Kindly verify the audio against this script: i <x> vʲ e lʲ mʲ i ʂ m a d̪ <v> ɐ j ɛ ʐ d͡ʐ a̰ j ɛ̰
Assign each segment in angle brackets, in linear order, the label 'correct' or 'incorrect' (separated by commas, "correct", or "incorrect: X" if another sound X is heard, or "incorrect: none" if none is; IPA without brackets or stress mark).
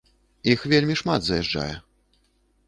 correct, incorrect: z